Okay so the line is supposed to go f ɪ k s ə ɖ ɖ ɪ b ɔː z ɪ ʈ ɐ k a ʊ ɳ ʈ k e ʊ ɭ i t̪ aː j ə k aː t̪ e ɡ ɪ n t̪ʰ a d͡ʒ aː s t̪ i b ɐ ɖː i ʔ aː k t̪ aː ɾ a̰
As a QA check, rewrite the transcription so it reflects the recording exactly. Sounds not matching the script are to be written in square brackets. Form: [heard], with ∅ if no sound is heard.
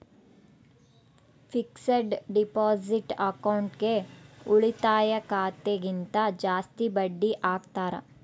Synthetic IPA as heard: f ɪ k s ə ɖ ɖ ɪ [p] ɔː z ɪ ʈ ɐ k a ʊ ɳ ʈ k e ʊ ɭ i t̪ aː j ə k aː t̪ e ɡ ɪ n [t̪] a d͡ʒ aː s t̪ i b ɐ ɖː i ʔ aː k t̪ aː ɾ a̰

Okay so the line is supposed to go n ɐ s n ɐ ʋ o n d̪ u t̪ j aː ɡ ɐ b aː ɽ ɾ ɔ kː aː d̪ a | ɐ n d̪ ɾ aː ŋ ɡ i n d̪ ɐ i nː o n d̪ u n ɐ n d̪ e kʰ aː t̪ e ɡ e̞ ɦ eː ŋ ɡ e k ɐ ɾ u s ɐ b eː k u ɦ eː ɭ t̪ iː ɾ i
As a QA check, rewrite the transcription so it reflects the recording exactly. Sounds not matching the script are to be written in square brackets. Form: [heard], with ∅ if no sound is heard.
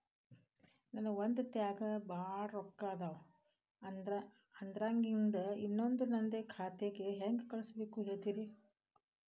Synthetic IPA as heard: n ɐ [∅] n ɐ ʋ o n d̪ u t̪ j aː ɡ ɐ b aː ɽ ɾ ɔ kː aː d̪ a | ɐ n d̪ ɾ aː ŋ ɡ i n d̪ ɐ i nː o n d̪ u n ɐ n d̪ e kʰ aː t̪ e ɡ e̞ ɦ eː ŋ ɡ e k ɐ [ɭ] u s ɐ b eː k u ɦ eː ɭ t̪ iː ɾ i

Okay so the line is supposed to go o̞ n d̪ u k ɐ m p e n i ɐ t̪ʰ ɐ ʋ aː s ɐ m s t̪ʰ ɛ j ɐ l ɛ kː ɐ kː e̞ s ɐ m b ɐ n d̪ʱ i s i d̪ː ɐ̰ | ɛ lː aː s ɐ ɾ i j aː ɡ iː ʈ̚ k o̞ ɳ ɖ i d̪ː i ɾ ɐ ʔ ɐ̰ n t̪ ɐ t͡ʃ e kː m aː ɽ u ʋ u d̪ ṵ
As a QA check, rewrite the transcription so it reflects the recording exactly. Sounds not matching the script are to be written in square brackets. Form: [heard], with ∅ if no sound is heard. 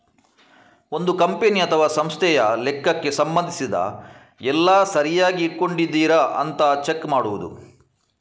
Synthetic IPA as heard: o̞ n d̪ u k ɐ m p e n i ɐ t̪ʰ ɐ ʋ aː s ɐ m s t̪ʰ ɛ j ɐ l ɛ kː ɐ kː e̞ s ɐ m b ɐ n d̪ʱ i s i [d̪] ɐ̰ | ɛ lː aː s ɐ ɾ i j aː ɡ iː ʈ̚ k o̞ ɳ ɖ i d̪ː [iː] ɾ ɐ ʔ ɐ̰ n t̪ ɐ t͡ʃ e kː m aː ɽ u ʋ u d̪ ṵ

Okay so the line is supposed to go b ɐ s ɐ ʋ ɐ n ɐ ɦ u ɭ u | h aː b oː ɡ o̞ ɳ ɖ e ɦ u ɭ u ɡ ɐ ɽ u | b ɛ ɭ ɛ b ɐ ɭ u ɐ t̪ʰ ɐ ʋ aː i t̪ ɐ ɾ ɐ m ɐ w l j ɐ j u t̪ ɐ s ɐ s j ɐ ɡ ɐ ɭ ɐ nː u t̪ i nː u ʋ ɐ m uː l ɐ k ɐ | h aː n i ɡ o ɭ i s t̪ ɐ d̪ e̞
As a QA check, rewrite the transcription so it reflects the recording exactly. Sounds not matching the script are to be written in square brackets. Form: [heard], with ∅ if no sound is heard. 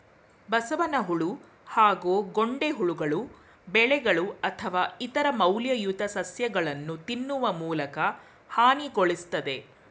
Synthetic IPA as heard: b ɐ s ɐ ʋ ɐ n ɐ ɦ u ɭ u | h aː [ɡ] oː ɡ o̞ ɳ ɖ e ɦ u ɭ u ɡ ɐ [ɭ] u | b ɛ ɭ ɛ [ɡ] ɐ ɭ u ɐ t̪ʰ ɐ ʋ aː i t̪ ɐ ɾ ɐ m ɐ w l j ɐ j u t̪ ɐ s ɐ s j ɐ ɡ ɐ ɭ ɐ nː u t̪ i nː u ʋ ɐ m uː l ɐ k ɐ | h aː n i ɡ o ɭ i s t̪ ɐ d̪ e̞

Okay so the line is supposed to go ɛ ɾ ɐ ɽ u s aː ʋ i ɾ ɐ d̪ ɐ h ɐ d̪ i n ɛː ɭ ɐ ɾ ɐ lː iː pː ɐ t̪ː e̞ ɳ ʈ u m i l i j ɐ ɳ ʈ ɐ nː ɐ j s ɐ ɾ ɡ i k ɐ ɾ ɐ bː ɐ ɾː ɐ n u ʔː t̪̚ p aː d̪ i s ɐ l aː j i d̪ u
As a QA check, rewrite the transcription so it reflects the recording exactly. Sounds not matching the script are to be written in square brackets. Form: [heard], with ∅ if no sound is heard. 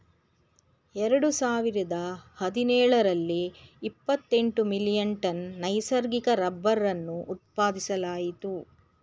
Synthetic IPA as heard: ɛ ɾ ɐ ɽ u s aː ʋ i ɾ ɐ d̪ ɐ h ɐ d̪ i n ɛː ɭ ɐ ɾ ɐ lː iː pː ɐ t̪ː e̞ ɳ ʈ u m i l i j ɐ ɳ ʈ ɐ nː ɐ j s ɐ ɾ ɡ i k ɐ ɾ ɐ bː ɐ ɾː ɐ [nː] u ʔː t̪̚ p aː d̪ i s ɐ l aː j i [t̪] u

